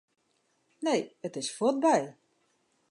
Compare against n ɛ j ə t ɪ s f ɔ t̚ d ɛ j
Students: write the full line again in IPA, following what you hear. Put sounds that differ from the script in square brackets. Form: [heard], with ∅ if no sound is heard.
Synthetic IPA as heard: n [e] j ə t ɪ s f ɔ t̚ [b] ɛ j